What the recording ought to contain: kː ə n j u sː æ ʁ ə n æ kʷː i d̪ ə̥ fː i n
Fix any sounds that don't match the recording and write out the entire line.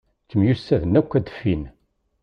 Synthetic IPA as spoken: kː ə m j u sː æ ð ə n æ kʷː æ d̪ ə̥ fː i n